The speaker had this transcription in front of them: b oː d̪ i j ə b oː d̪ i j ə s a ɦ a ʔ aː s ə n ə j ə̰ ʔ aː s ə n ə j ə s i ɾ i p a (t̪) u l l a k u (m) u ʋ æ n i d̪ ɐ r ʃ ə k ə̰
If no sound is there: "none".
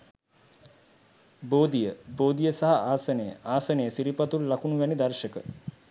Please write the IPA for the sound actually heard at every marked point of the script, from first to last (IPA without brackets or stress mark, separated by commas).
t̪, n